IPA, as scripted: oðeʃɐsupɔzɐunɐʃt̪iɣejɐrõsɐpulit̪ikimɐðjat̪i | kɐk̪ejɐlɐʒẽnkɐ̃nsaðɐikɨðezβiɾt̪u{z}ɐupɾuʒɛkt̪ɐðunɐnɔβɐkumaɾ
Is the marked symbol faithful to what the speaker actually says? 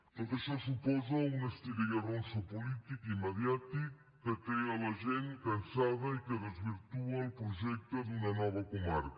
no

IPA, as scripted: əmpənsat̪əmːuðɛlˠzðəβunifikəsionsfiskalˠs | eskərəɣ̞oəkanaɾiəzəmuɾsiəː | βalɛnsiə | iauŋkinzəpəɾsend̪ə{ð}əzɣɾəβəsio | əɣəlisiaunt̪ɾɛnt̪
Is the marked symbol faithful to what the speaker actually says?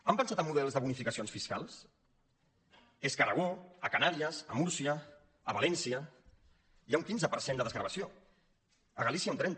yes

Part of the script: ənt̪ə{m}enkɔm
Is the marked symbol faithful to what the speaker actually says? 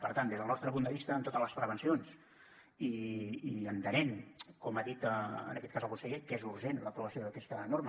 no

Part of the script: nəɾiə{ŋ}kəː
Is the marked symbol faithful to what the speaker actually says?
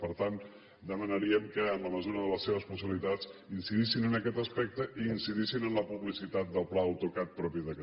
no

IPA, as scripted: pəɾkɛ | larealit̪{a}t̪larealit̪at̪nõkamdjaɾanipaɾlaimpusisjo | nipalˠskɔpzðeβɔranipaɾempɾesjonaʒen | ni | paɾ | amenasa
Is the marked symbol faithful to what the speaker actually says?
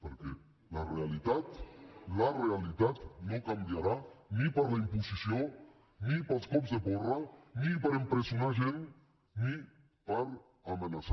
yes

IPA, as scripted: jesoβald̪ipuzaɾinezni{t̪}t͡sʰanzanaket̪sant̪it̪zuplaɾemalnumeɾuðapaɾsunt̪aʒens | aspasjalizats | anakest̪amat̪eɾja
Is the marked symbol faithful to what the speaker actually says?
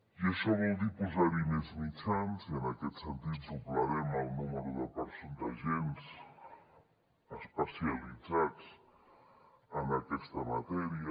no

